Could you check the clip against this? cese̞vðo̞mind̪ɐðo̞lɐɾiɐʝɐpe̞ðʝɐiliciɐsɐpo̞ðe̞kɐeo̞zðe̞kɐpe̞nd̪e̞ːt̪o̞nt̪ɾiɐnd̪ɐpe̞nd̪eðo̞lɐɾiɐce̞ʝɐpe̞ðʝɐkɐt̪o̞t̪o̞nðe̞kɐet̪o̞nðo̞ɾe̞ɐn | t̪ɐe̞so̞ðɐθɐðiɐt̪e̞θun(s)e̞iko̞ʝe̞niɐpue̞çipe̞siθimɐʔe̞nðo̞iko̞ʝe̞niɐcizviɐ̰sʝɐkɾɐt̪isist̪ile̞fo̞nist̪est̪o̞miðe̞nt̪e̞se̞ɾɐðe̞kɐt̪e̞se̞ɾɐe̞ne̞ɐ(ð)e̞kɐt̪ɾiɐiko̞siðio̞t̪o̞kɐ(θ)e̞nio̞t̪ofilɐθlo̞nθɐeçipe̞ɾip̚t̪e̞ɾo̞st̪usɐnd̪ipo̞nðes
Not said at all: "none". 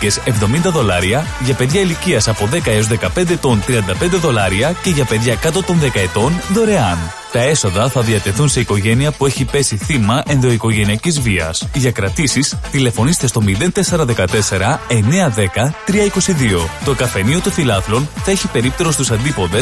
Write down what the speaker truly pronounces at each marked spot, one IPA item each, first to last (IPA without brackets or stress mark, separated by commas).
s, ð, f